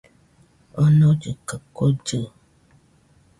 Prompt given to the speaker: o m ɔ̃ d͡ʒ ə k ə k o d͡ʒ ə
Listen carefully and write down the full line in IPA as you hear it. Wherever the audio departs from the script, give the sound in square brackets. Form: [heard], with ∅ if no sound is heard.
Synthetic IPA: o [n] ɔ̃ d͡ʒ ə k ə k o d͡ʒ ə